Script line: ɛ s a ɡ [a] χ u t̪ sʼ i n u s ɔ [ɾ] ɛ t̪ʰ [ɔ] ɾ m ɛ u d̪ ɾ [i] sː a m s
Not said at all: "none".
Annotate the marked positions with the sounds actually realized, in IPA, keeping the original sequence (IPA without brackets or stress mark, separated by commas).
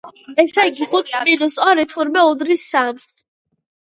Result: i, ɾ, u, i